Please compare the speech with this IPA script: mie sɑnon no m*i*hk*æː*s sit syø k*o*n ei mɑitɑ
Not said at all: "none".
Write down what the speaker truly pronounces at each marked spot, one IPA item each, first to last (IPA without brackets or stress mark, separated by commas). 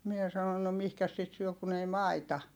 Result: i, æ, u